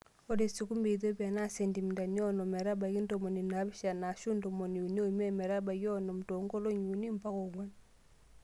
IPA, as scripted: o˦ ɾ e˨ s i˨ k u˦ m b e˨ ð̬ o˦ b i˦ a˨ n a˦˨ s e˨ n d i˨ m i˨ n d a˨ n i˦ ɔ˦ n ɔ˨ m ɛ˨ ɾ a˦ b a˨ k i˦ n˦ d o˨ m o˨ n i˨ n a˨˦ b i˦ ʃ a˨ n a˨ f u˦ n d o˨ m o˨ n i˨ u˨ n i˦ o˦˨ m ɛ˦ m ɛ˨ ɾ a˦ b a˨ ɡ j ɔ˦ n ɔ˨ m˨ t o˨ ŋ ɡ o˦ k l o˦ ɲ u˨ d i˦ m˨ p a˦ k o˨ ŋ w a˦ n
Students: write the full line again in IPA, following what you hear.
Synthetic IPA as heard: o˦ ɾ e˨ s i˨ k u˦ m b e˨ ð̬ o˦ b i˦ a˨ n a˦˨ s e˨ n d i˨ m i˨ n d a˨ n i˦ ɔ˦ n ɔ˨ m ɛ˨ ɾ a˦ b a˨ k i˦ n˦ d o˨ m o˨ n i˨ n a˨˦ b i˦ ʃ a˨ n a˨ ʃ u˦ n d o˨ m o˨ n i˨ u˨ n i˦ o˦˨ m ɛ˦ m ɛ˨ ɾ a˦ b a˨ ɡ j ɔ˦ n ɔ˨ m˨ t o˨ ŋ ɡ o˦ l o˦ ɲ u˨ n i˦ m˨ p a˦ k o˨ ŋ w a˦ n